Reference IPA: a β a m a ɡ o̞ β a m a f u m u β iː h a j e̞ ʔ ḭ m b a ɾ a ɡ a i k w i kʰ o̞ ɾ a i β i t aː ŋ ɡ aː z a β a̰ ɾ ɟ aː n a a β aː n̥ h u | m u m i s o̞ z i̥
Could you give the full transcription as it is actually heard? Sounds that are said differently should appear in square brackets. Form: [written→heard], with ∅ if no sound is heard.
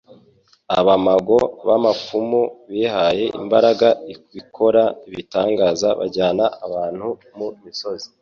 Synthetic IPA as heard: a β a m a ɡ o̞ β a m a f u m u β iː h a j e̞ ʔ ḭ m b a ɾ a ɡ a i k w i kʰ o̞ ɾ a i β i t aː ŋ ɡ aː z a β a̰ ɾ ɟ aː n a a β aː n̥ h u | m u m i s o̞ z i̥